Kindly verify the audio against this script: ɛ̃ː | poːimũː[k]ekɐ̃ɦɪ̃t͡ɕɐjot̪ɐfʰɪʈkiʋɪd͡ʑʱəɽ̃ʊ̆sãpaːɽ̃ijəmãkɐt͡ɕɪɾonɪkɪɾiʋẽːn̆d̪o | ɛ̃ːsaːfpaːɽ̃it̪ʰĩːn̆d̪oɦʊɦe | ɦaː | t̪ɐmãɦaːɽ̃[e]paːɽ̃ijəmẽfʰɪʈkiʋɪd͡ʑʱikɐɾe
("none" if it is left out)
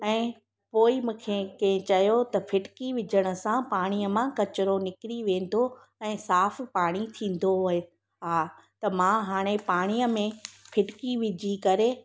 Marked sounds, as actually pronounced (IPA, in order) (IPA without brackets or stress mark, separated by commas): kʰ, e